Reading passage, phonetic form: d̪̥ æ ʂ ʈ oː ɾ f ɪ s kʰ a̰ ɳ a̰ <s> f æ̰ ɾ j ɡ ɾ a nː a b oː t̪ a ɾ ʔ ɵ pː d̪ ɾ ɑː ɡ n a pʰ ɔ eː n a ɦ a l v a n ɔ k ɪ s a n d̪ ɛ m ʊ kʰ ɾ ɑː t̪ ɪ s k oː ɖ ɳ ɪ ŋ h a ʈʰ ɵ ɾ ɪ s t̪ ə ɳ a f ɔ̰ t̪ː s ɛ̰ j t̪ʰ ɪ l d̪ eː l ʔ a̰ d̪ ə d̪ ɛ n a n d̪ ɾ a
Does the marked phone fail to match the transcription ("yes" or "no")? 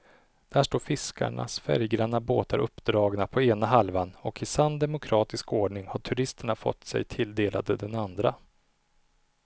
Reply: no